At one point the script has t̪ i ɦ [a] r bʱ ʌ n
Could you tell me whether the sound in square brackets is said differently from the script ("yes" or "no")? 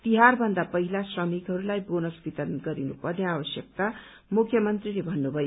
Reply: no